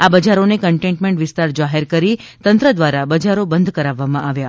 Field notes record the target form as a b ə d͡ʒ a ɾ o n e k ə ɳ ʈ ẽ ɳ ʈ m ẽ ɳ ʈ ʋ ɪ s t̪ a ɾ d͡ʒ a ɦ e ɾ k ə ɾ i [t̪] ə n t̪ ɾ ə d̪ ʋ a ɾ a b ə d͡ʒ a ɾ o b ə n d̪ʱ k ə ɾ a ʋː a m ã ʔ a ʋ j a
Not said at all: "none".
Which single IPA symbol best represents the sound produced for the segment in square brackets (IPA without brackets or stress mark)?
t̪